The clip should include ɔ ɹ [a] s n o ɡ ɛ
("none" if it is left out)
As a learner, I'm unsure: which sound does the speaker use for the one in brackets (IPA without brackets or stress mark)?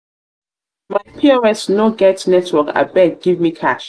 ɛ